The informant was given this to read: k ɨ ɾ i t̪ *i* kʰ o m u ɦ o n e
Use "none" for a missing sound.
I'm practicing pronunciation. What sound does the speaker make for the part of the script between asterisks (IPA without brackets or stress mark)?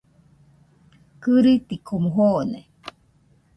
i